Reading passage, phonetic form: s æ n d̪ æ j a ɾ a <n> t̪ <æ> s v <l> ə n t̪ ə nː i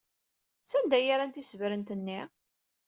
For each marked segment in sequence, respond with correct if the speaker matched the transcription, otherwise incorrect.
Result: correct, incorrect: i, incorrect: ɾ

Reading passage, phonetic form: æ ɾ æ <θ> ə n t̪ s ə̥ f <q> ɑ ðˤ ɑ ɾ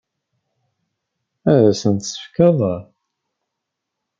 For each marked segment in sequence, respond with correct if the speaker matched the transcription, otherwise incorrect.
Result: incorrect: s, incorrect: k

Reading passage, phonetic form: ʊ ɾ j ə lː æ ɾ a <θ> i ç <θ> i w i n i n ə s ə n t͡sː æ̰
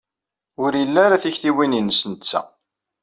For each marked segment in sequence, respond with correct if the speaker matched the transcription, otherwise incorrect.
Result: correct, correct

